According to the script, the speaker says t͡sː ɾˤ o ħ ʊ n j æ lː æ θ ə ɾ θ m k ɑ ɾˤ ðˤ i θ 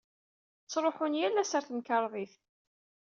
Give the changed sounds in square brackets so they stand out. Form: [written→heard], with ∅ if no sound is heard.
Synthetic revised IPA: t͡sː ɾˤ o ħ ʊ n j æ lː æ [θ→s] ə ɾ θ m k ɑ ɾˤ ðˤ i θ

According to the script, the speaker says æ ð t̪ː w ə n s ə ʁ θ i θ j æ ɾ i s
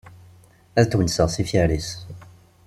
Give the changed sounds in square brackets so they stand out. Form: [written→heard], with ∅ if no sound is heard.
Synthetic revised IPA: æ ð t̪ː w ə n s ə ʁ [θ→s] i [θ→f] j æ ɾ i s

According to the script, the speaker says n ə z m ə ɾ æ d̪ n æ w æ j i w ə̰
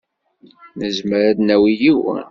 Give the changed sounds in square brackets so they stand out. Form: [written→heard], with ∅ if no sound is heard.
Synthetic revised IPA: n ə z m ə ɾ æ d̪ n æ w [æ→i] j i w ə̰

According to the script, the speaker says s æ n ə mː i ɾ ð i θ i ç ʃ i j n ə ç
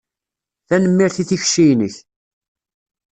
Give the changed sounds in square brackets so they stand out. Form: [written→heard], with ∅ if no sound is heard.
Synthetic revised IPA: [s→θ] æ n ə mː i ɾ [ð→θ] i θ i ç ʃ i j n ə ç

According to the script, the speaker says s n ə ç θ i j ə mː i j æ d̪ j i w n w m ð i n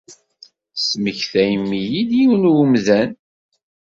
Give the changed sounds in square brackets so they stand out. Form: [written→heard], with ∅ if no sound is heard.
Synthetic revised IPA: s [n→m] ə ç θ [i→æ] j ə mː i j [æ→i] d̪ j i w n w m ð [i→æ] n

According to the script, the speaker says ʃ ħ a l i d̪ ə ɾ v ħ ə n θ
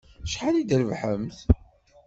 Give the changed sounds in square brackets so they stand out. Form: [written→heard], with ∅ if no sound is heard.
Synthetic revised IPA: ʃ ħ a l i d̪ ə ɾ v ħ ə [n→m] θ

